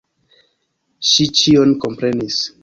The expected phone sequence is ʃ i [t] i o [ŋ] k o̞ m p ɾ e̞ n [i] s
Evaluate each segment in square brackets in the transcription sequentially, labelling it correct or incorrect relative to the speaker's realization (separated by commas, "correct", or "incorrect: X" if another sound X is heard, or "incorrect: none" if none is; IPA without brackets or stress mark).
incorrect: t͡ʃ, incorrect: n, correct